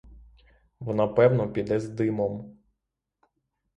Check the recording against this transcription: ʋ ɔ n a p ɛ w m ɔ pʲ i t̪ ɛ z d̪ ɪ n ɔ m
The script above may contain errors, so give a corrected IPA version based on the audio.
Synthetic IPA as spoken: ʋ ɔ n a p ɛ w n ɔ pʲ i d̪ ɛ z d̪ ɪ m ɔ m